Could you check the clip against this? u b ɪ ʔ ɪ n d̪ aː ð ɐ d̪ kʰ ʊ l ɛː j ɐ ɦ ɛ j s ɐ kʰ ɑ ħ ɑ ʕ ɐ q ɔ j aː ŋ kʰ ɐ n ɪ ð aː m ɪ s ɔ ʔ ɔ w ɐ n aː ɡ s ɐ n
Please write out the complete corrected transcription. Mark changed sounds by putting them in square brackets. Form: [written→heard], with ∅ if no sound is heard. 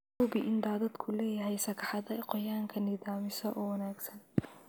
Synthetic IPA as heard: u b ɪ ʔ ɪ n d̪ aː ð ɐ d̪ kʰ ʊ l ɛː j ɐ ɦ ɛ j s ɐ kʰ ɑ ħ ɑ [ʕ→ð] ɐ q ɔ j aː ŋ kʰ ɐ n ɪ ð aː m ɪ s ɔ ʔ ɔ w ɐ n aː ɡ s ɐ n